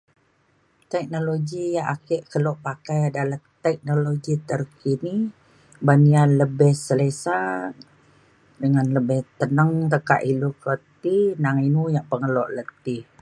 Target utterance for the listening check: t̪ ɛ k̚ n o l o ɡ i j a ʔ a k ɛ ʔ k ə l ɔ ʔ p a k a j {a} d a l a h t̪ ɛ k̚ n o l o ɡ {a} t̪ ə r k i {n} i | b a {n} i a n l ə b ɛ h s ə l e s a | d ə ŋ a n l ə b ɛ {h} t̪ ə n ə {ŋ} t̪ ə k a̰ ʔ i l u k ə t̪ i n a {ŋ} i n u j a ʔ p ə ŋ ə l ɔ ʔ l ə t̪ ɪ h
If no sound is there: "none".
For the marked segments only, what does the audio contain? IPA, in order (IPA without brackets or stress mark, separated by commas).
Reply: a, i, n, n, h, ŋ, ŋ